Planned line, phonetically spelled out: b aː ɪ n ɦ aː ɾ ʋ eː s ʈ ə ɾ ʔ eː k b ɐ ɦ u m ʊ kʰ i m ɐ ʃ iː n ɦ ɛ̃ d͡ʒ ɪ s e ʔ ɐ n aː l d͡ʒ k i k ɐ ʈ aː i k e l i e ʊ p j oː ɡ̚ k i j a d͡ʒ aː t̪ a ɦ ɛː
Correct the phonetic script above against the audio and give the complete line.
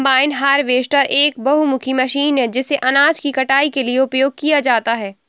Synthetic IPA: b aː ɪ n ɦ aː ɾ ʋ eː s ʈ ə ɾ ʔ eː k b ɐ ɦ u m ʊ kʰ i m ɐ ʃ iː n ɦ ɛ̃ d͡ʒ ɪ s e ʔ ɐ n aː d͡ʒ k i k ɐ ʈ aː i k e l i e ʊ p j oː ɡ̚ k i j a d͡ʒ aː t̪ a ɦ ɛː